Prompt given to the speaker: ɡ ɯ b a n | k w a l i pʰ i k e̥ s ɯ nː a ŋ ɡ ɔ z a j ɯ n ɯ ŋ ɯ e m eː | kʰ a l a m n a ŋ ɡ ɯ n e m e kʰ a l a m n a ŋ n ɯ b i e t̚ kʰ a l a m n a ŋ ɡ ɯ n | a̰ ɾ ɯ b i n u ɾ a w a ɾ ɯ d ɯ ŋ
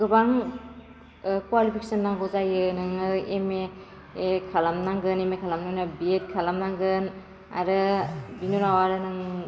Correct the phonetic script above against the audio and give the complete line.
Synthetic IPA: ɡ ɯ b a ŋ | k w a l i pʰ i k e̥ s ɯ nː a ŋ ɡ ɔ z a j ɯ n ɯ ŋ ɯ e m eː | kʰ a l a m n a ŋ ɡ ɯ n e m e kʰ a l a m n a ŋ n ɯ b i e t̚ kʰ a l a m n a ŋ ɡ ɯ n | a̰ ɾ ɯ b i n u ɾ a w a ɾ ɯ n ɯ ŋ